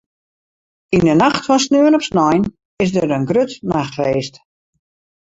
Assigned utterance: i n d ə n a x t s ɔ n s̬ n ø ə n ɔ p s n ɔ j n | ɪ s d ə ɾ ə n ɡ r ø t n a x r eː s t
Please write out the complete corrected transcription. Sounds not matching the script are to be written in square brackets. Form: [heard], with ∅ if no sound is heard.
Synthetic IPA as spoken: i n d ə n a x t [f] ɔ n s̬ n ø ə n ɔ p s n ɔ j n | ɪ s d ə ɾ ə n ɡ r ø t n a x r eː s t

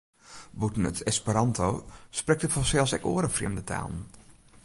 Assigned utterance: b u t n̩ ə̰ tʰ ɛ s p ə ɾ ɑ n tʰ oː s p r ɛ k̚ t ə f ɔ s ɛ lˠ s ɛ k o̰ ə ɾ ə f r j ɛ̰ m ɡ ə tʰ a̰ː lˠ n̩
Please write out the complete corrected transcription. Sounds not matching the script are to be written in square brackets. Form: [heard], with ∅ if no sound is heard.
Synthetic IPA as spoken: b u t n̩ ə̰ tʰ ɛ s p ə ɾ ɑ n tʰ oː s p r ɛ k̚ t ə f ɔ s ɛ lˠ s ɛ k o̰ ə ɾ ə f r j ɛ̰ m [d] ə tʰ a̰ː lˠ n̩

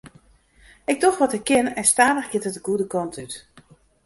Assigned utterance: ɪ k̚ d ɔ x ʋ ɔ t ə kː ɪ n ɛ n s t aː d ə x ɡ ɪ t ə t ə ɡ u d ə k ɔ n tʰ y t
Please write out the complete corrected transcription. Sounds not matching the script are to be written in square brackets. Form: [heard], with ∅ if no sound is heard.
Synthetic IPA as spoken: ɪ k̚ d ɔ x ʋ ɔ t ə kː ɪ n ɛ n s t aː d ə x ɡ ɪ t ə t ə ɡ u d ə k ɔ n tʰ y t

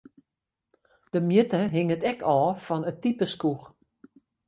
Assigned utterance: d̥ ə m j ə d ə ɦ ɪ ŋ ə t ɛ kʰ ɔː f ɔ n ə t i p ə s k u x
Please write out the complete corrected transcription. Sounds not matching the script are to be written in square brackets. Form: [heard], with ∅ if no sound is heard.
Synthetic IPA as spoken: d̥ ə m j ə [t] ə ɦ ɪ ŋ ə t ɛ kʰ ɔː f ɔ n ə t i p ə s k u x

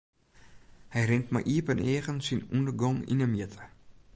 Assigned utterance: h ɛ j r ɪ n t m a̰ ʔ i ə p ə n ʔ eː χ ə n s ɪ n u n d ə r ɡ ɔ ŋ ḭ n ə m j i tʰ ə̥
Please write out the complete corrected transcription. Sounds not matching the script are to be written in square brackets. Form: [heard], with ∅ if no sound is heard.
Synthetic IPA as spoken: h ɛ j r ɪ n t m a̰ ʔ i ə p ə n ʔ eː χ ə n s [i] n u n d ə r ɡ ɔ ŋ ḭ n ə m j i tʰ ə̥

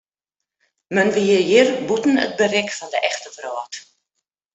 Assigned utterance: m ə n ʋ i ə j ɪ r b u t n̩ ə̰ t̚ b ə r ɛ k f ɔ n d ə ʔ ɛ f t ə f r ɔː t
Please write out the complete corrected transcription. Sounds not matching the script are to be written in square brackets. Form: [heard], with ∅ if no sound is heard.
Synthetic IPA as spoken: m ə n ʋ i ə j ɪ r b u t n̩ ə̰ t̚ b ə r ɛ k f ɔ n d ə ʔ ɛ [x] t ə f r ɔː t

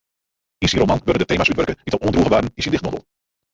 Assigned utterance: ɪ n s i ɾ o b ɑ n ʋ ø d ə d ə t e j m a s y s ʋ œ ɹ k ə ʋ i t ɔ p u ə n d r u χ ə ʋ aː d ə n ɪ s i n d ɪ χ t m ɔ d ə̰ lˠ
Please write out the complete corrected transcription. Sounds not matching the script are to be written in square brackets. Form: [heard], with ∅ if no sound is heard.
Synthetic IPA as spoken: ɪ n s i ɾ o [m] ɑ n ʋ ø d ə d ə t e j m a s y [t] ʋ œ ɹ k ə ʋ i t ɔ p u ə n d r u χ ə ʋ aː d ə n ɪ s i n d ɪ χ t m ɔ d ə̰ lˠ

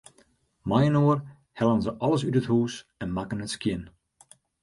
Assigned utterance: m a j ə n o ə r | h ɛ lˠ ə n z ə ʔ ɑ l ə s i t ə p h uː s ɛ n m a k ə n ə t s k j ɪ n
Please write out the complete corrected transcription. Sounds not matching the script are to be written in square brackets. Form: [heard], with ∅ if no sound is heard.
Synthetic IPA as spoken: m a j ə n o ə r | h ɛ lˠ ə n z ə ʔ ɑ l ə s [y] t ə [t] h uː s ɛ n m a k ə n ə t s k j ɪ n

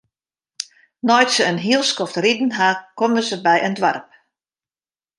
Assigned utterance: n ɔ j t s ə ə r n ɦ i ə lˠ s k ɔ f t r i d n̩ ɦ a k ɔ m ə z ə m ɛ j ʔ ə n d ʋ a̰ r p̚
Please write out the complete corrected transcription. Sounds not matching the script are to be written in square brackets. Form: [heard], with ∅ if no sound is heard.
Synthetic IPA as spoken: n ɔ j t s ə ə [∅] n ɦ i ə lˠ s k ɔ f t r i d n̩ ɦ a k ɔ m ə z ə [b] ɛ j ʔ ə n d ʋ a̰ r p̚

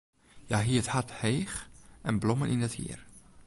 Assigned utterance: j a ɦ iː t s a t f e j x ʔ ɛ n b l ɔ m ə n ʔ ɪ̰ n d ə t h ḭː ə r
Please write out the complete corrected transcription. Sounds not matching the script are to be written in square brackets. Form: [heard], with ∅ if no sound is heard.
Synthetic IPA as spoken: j a ɦ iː t [h] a t [h] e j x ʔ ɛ n b l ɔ m ə n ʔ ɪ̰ n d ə t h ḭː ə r

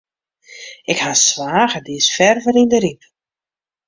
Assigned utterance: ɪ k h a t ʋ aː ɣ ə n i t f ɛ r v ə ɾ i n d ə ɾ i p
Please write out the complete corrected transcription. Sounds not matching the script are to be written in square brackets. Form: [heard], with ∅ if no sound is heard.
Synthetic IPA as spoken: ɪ k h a [s] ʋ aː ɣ ə [d] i [s] f ɛ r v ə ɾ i n d ə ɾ i p

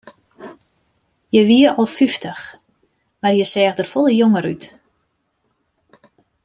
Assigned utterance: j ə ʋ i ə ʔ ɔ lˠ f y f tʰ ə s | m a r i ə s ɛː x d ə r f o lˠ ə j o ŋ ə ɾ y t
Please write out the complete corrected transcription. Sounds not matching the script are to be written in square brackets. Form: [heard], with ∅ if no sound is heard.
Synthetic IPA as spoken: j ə ʋ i ə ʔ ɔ lˠ f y f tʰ ə [x] | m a r [j] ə s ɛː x d ə r f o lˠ ə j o ŋ ə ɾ y t

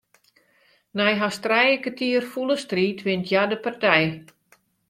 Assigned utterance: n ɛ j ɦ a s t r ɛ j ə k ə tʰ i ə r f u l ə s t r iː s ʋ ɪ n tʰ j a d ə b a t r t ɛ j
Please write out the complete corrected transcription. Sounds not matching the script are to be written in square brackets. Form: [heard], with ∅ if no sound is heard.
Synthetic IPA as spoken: n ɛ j ɦ a s t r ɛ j ə k ə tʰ i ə r f u l ə s t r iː [t] ʋ ɪ n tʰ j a d ə [p] a [∅] r t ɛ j

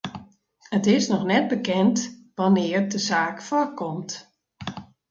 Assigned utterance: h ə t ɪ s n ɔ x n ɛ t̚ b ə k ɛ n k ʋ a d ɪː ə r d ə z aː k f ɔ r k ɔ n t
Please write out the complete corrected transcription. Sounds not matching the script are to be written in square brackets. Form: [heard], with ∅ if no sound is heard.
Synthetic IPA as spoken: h ə t ɪ s n ɔ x n ɛ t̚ b ə k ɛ n [t] ʋ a [n] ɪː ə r d ə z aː k f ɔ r k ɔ [m] t

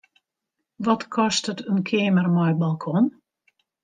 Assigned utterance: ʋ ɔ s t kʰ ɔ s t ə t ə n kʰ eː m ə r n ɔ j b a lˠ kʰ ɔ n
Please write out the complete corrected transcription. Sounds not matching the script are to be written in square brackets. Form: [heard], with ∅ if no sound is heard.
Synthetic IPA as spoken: ʋ ɔ [∅] t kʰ ɔ s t ə t ə n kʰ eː m ə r [m] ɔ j b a lˠ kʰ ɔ n

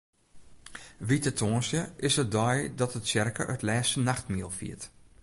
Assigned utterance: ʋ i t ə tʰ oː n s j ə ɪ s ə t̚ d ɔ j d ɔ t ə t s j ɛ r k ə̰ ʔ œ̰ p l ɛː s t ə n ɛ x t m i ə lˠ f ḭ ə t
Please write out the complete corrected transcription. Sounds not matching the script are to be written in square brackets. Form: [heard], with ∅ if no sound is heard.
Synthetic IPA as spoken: ʋ i t ə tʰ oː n s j ə ɪ s ə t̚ d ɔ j d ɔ t ə t s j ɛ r k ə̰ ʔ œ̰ [t] l ɛː s t ə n [a] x t m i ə lˠ f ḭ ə t

